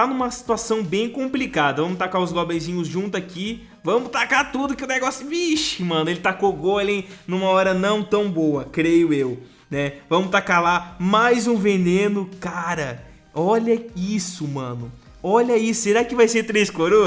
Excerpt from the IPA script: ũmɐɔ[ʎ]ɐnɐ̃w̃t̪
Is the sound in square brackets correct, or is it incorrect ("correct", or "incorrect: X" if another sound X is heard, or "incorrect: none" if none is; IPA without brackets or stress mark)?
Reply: incorrect: ɾ